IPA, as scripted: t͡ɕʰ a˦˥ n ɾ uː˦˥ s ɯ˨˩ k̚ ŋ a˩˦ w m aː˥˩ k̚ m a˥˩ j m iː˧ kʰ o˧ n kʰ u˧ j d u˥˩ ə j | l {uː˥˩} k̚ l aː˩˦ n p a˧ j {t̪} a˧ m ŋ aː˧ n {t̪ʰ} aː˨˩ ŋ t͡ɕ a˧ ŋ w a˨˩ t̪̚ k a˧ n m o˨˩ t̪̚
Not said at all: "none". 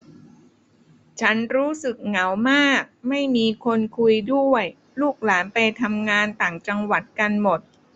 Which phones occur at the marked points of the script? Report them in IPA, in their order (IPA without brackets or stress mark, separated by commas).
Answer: uː˥˩, t̪ʰ, t̪